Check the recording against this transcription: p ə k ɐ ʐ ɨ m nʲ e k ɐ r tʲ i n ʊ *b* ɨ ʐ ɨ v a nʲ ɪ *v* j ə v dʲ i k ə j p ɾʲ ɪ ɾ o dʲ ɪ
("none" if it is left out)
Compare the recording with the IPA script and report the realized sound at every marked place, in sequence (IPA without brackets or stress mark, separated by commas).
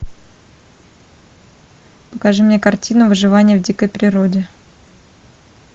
v, none